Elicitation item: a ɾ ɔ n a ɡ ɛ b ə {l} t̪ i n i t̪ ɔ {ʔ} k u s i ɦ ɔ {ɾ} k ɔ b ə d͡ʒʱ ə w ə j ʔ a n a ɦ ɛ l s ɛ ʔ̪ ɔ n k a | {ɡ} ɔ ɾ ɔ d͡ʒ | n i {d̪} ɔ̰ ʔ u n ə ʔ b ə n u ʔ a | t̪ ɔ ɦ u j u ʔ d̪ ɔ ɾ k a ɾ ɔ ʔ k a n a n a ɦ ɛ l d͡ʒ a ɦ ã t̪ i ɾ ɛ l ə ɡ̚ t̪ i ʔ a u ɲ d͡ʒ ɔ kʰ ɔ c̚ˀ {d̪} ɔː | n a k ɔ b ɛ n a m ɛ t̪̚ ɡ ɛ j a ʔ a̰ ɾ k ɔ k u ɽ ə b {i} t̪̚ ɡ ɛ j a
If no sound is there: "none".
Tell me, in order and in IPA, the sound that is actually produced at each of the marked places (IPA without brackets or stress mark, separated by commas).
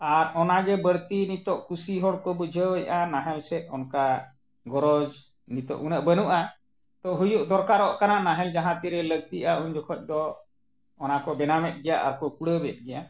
ɽ, ʔ, ɽ, ɡ, t̪, d̪, ɛ